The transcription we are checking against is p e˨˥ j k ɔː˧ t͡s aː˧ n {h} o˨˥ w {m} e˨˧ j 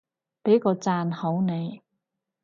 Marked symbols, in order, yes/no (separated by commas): yes, no